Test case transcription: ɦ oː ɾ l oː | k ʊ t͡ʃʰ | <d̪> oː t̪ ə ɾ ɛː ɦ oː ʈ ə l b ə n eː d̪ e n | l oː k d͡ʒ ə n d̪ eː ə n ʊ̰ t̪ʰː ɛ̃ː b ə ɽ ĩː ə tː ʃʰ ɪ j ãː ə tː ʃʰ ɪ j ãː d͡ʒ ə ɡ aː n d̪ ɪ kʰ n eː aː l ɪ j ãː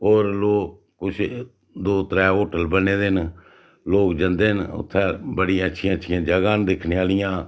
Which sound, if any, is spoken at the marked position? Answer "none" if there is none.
d̪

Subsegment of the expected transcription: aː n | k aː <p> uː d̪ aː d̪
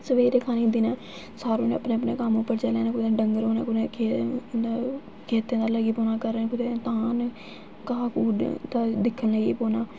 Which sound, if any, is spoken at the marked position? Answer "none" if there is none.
k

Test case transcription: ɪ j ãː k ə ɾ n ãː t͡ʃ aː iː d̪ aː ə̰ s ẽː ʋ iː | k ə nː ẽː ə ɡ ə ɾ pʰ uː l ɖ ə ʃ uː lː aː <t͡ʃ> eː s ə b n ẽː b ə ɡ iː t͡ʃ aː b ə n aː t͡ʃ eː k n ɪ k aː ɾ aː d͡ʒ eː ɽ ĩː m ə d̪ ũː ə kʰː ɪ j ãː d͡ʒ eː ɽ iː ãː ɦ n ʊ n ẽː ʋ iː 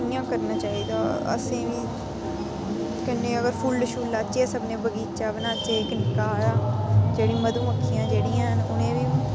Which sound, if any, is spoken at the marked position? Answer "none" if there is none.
t͡ʃ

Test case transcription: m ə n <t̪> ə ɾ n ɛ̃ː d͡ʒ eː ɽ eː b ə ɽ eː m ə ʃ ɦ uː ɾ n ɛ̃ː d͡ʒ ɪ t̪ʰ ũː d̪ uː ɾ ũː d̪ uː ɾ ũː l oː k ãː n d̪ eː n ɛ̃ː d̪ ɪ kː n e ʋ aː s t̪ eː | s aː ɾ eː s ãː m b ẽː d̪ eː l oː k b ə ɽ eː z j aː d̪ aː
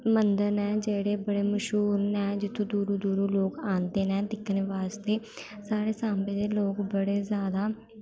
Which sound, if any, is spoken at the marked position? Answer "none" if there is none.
d̪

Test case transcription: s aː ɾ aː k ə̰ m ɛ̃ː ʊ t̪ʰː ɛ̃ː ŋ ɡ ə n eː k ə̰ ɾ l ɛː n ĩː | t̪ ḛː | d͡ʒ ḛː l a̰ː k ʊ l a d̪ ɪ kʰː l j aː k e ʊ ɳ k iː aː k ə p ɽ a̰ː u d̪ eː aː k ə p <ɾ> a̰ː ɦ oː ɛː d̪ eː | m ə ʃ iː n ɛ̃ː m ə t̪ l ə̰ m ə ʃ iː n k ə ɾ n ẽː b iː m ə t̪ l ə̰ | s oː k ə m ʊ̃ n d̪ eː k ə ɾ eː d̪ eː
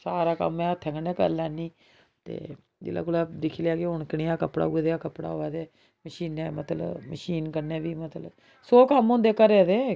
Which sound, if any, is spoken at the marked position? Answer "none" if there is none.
ɽ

